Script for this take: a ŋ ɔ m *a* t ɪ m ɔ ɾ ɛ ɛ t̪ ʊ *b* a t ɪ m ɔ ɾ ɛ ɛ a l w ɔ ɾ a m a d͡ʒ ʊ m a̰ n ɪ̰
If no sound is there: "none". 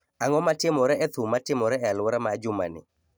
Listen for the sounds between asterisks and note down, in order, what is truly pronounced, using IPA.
a, m

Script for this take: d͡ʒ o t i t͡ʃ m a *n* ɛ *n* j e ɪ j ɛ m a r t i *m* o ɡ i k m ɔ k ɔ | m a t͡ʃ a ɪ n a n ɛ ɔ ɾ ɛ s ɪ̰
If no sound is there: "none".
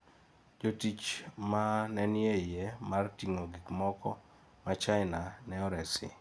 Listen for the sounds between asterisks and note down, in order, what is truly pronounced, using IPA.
n, n, ŋ

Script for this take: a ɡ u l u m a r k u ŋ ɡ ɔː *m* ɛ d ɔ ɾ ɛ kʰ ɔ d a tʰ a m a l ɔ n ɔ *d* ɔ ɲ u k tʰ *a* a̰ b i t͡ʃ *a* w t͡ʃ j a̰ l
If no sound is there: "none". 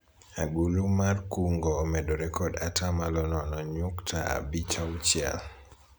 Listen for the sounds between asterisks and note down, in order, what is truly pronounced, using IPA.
m, n, a, a

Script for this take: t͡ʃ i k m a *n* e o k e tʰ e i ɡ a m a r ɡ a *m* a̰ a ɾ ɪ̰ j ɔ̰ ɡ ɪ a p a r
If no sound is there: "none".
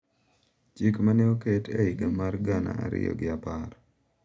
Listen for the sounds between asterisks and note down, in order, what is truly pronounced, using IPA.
n, n

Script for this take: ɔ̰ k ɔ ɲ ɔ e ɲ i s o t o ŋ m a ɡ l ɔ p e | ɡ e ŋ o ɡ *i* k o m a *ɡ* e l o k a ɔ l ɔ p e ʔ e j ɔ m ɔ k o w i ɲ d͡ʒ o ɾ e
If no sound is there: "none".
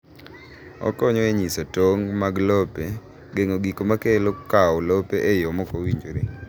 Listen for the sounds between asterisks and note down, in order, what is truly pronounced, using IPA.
i, k

